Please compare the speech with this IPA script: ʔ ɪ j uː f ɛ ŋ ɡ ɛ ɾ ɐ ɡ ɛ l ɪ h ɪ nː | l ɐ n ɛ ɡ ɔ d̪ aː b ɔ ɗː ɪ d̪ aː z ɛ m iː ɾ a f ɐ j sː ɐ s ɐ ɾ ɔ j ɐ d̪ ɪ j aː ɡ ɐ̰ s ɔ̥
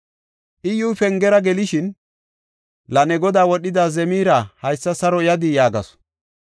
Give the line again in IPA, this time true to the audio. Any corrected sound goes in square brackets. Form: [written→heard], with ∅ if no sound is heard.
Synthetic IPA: ʔ ɪ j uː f ɛ ŋ ɡ ɛ ɾ ɐ ɡ ɛ l ɪ [h→ʃ] ɪ [nː→n] | l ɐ n ɛ ɡ ɔ d̪ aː [b→w] ɔ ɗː ɪ d̪ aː z ɛ m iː ɾ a [f→h] ɐ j sː ɐ s ɐ ɾ ɔ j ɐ d̪ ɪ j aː ɡ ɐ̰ s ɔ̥

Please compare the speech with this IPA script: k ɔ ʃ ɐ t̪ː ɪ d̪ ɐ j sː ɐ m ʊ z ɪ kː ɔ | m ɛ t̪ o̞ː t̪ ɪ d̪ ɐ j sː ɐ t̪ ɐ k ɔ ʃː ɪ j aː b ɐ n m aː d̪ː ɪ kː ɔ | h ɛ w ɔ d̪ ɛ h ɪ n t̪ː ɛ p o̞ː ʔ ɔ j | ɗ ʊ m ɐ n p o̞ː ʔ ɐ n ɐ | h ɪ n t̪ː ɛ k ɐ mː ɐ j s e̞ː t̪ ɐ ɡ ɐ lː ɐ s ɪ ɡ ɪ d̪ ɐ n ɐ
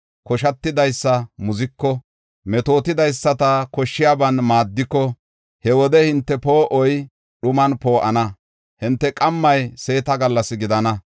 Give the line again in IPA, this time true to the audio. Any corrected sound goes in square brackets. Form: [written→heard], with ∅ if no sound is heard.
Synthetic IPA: k ɔ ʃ ɐ t̪ː ɪ d̪ ɐ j sː ɐ m ʊ z ɪ kː ɔ | m ɛ t̪ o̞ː t̪ ɪ d̪ ɐ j sː ɐ t̪ ɐ k ɔ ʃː ɪ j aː b ɐ n m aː d̪ː ɪ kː ɔ | h ɛ w ɔ d̪ ɛ h ɪ n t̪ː ɛ p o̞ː ʔ ɔ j | ɗ ʊ m ɐ n p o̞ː ʔ ɐ n ɐ | h ɪ n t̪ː ɛ [k→kʼ] ɐ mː ɐ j s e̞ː t̪ ɐ ɡ ɐ lː ɐ s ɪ ɡ ɪ d̪ ɐ n ɐ

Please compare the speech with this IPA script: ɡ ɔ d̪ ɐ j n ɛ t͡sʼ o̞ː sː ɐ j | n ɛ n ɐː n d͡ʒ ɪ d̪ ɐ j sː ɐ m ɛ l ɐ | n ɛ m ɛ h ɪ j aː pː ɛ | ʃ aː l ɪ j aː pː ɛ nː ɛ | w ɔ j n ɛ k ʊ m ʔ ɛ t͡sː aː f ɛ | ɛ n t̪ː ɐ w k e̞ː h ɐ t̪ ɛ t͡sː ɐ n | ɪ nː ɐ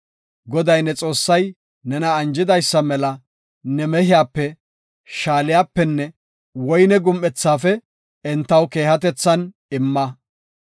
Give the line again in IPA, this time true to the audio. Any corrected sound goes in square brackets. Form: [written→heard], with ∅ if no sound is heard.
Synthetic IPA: ɡ ɔ d̪ ɐ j n ɛ t͡sʼ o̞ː sː ɐ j | n ɛ n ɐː n d͡ʒ ɪ d̪ ɐ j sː ɐ m ɛ l ɐ | n ɛ m ɛ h ɪ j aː pː ɛ | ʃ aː l ɪ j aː pː ɛ nː ɛ | w ɔ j n ɛ [k→ɡ] ʊ m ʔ ɛ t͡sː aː f ɛ | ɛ n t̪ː ɐ w k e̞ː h ɐ t̪ ɛ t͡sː ɐ n | ɪ [nː→mː] ɐ

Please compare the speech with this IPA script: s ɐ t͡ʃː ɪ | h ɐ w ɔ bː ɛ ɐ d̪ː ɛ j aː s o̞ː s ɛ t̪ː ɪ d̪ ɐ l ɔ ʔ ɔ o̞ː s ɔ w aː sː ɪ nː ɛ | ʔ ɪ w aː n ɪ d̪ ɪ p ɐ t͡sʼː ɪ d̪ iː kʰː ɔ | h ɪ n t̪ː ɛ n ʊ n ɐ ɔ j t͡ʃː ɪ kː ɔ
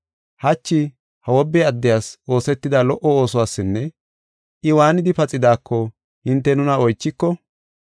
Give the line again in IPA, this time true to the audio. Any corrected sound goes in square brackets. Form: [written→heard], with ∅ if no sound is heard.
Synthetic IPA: [s→h] ɐ t͡ʃː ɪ | h ɐ w ɔ bː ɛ ɐ d̪ː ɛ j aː s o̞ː s ɛ t̪ː ɪ d̪ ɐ l ɔ ʔ ɔ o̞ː s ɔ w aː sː ɪ nː ɛ | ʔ ɪ w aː n ɪ d̪ ɪ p ɐ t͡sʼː ɪ d̪ [iː→aː] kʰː ɔ | h ɪ n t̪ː ɛ n ʊ n ɐ ɔ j t͡ʃː ɪ kː ɔ

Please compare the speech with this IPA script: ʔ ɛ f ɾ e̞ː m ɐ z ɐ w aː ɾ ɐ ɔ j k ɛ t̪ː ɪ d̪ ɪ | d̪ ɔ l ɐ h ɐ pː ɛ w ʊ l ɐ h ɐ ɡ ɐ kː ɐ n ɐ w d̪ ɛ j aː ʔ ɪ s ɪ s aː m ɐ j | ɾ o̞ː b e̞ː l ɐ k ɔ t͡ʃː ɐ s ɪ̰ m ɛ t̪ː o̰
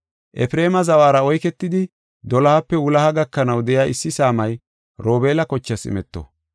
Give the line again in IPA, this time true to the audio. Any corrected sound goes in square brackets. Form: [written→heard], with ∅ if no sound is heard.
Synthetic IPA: ʔ ɛ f ɾ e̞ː m ɐ z ɐ w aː ɾ ɐ ɔ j k ɛ t̪ː ɪ d̪ ɪ | d̪ ɔ l ɐ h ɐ pː ɛ w ʊ l ɐ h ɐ ɡ ɐ kː ɐ n ɐ w d̪ ɛ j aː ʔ ɪ [s→sː] ɪ s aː m ɐ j | ɾ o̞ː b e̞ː l ɐ k ɔ t͡ʃː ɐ s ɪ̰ m ɛ t̪ː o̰

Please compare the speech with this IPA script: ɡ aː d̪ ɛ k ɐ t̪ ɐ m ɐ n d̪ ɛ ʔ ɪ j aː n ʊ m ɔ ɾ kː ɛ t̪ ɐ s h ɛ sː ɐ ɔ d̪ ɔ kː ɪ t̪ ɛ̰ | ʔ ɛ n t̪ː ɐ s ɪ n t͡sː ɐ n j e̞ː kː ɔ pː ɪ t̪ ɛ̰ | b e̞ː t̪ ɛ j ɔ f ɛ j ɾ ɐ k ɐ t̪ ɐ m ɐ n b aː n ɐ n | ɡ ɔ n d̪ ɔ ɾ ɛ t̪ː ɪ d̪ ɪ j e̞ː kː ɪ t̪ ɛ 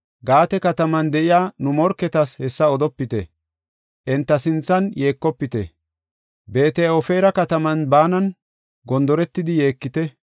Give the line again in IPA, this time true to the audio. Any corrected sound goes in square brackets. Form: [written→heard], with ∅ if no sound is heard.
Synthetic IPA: ɡ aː [d̪→t̪] ɛ k ɐ t̪ ɐ m ɐ n d̪ ɛ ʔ ɪ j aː n ʊ m ɔ ɾ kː ɛ t̪ ɐ s h ɛ sː ɐ ɔ d̪ ɔ [kː→pː] ɪ t̪ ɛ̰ | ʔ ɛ n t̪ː ɐ s ɪ n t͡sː ɐ n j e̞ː kː ɔ pː ɪ t̪ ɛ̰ | b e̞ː t̪ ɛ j ɔ f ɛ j ɾ ɐ k ɐ t̪ ɐ m ɐ n b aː n ɐ n | ɡ ɔ n d̪ ɔ ɾ ɛ t̪ː ɪ d̪ ɪ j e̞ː kː ɪ t̪ ɛ

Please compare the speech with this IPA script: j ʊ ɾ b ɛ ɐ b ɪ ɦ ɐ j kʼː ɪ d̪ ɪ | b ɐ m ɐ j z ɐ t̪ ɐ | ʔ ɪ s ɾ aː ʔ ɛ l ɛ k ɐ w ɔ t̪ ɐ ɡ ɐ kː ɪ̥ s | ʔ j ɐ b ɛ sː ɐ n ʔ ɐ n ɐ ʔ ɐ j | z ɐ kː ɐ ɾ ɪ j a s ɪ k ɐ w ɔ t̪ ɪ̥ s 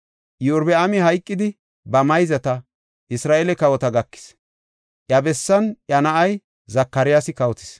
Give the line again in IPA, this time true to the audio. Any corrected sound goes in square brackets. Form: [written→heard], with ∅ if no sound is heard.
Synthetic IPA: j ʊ ɾ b ɛ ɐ [b→m] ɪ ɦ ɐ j kʼː ɪ d̪ ɪ | b ɐ m ɐ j z ɐ t̪ ɐ | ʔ ɪ s ɾ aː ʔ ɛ l ɛ k ɐ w ɔ t̪ ɐ ɡ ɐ kː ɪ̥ s | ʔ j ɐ b ɛ sː ɐ n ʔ ɐ n ɐ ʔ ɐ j | z ɐ kː ɐ ɾ ɪ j a s ɪ k ɐ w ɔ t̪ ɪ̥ s

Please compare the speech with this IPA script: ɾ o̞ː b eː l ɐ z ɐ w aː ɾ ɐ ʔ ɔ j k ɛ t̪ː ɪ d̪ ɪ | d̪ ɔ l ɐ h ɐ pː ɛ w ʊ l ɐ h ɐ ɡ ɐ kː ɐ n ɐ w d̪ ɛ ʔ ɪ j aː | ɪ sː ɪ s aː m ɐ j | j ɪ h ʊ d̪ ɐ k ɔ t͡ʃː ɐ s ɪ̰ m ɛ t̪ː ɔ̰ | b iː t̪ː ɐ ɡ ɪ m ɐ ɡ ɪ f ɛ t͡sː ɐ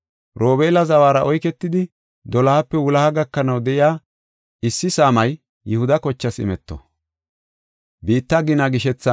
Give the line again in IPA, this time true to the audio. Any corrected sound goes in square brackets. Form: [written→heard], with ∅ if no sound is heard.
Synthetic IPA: ɾ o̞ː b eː l ɐ z ɐ w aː ɾ ɐ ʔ ɔ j k ɛ t̪ː ɪ d̪ ɪ | d̪ ɔ l ɐ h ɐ pː ɛ w ʊ l ɐ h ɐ ɡ ɐ kː ɐ n ɐ w d̪ ɛ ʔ ɪ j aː | ɪ sː ɪ s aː m ɐ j | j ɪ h ʊ d̪ ɐ k ɔ t͡ʃː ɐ s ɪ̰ m ɛ t̪ː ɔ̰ | b iː t̪ː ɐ ɡ ɪ [m→n] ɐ ɡ ɪ [f→ʃ] ɛ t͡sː ɐ

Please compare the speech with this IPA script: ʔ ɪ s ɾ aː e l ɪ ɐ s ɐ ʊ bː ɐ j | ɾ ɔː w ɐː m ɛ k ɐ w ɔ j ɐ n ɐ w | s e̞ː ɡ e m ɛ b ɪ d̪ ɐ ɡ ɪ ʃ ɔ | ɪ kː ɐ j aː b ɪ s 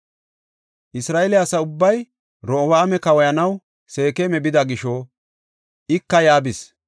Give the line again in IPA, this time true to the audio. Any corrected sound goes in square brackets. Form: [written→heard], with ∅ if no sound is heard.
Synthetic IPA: ʔ ɪ s ɾ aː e l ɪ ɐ s ɐ ʊ bː ɐ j | ɾ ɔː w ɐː m ɛ k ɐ w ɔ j ɐ n ɐ w | s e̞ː [ɡ→k] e m ɛ b ɪ d̪ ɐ ɡ ɪ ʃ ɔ | ɪ kː ɐ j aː b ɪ s

